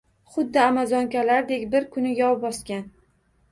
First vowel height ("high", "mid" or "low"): high